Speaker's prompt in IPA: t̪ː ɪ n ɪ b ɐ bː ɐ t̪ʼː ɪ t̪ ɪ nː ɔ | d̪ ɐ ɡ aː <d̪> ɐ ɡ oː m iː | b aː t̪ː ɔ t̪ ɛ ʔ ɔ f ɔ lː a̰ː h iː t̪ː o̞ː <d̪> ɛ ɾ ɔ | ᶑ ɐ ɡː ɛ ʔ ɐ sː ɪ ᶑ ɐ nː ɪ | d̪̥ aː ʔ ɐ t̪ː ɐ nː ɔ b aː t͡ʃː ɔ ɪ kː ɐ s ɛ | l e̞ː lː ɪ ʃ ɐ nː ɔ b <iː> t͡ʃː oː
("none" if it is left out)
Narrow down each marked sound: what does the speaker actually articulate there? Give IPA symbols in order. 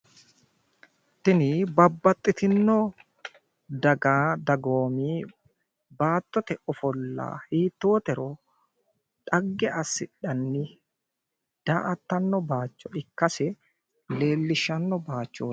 d̪, t̪, aː

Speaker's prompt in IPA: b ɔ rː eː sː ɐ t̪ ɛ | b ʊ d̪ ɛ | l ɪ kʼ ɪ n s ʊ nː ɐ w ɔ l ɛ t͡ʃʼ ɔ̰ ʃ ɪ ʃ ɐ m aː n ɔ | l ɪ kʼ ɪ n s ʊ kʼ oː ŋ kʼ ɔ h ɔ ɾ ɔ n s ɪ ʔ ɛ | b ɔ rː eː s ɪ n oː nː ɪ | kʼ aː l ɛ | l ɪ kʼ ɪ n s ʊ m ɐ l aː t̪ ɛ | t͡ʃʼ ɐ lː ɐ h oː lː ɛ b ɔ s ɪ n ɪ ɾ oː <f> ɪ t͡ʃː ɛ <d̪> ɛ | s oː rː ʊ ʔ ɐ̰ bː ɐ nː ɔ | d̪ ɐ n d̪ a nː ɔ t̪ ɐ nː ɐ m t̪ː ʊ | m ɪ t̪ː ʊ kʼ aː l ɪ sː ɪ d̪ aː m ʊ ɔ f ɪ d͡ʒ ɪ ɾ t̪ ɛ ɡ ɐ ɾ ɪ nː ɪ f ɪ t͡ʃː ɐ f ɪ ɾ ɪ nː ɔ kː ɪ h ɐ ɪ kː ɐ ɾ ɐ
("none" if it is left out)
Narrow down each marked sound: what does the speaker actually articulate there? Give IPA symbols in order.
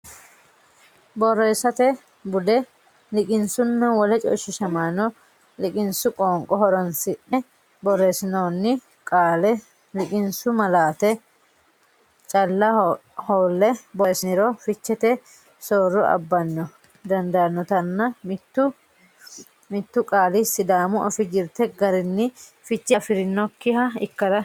f, t̪

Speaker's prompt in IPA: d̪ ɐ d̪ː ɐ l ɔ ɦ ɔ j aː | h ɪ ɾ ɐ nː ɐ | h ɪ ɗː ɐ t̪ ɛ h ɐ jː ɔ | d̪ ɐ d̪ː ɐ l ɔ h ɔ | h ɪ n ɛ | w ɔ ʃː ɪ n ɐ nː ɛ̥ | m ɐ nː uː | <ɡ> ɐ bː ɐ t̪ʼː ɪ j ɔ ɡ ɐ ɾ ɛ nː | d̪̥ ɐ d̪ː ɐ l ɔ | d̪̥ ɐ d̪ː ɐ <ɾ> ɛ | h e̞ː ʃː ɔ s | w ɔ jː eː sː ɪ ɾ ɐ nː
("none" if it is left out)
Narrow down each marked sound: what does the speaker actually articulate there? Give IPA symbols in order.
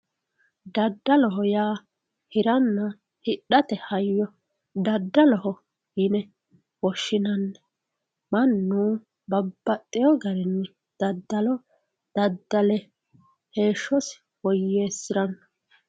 b, l

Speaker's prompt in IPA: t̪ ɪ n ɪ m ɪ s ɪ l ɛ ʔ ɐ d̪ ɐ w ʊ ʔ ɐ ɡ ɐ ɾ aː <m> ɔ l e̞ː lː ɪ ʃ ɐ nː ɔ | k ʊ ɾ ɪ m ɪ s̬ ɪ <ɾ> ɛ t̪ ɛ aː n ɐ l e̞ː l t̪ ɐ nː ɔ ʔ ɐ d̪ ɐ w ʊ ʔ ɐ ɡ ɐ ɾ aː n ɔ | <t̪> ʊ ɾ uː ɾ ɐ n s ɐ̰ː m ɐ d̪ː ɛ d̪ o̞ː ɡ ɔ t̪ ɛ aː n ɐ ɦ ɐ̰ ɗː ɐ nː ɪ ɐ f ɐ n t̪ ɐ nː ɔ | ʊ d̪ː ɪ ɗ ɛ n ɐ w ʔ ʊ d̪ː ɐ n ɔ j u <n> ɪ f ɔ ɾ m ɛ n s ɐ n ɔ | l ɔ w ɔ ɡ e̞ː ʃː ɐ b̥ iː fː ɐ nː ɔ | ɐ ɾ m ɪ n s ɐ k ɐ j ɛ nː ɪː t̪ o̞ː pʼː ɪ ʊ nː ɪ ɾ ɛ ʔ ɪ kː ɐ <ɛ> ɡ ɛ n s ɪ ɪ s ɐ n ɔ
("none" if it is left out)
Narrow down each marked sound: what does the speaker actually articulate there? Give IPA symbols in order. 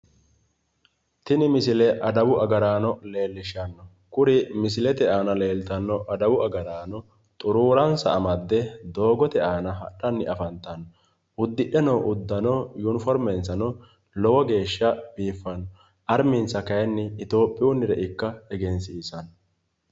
n, l, t̪ʼ, n, ɛ

